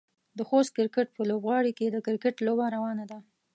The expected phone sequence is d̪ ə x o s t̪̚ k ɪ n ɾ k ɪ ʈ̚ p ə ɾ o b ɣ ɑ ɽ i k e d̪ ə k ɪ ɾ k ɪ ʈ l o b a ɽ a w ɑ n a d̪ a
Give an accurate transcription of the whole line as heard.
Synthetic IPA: d̪ ə x o s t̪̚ k ɪ ɾ k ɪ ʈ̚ p ə l o b ɣ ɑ ɽ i k e d̪ ə k ɪ ɾ k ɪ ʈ l o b a ɾ a w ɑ n a d̪ a